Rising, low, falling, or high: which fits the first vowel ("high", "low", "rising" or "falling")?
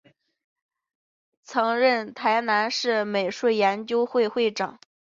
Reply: rising